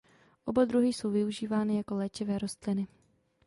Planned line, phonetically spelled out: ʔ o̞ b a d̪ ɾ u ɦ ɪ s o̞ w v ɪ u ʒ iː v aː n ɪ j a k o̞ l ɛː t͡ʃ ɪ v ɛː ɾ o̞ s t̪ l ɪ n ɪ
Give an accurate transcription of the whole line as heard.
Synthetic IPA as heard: ʔ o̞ b a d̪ ɾ u ɦ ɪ s o̞ w v ɪ u ʒ iː v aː n ɪ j a k o̞ l ɛː t͡ʃ ɪ v ɛː ɾ o̞ s t̪ l ɪ n ɪ